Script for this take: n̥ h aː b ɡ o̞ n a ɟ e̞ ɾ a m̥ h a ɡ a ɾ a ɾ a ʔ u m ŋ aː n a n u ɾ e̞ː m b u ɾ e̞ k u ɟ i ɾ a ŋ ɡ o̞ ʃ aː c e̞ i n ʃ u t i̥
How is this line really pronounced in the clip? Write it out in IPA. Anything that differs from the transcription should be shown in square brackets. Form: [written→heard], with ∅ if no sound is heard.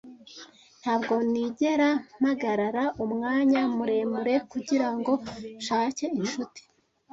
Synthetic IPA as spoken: n̥ h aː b ɡ o̞ n [a→i] ɟ e̞ ɾ a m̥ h a ɡ a ɾ a ɾ a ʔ u m ŋ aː [n→ɲ] a [n→m] u ɾ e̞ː m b u ɾ e̞ k u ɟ i ɾ a ŋ ɡ o̞ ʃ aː c e̞ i n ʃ u t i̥